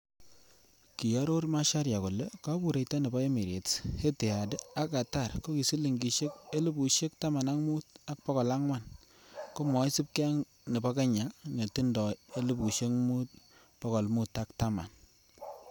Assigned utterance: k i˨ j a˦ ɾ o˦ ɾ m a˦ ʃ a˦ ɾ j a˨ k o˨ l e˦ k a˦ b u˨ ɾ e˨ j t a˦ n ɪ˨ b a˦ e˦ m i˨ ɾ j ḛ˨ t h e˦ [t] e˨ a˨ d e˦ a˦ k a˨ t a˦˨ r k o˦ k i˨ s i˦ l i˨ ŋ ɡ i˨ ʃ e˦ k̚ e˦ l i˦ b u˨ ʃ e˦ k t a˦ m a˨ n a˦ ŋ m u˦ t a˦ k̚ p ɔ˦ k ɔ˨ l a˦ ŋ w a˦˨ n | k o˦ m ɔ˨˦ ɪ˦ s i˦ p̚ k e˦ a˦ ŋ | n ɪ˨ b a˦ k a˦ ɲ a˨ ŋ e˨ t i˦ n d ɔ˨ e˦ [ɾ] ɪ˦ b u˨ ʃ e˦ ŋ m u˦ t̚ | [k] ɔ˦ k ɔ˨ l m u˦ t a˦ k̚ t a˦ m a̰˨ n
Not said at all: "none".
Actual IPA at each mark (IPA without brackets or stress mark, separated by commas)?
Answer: t, l, p